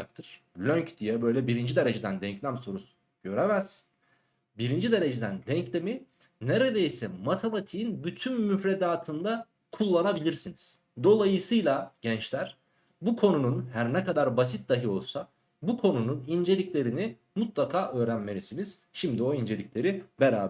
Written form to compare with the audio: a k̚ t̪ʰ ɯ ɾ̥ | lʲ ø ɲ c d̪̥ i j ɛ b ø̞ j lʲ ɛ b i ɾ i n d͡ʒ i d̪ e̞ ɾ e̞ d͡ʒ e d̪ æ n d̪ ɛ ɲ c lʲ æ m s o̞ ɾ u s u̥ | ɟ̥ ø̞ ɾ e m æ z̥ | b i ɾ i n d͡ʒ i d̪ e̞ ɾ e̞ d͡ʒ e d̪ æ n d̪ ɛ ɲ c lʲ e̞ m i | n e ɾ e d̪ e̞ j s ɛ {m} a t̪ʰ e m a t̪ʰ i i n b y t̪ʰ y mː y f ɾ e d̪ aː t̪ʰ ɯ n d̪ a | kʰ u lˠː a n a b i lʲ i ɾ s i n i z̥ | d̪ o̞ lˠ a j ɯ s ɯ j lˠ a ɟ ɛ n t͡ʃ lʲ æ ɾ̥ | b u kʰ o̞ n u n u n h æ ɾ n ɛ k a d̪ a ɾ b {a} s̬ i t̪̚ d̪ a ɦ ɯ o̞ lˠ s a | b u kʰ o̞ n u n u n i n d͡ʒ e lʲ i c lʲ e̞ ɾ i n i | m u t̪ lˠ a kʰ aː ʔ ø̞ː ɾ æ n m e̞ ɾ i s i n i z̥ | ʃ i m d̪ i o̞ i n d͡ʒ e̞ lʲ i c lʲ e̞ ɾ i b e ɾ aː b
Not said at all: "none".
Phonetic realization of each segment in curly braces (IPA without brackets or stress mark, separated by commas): m, a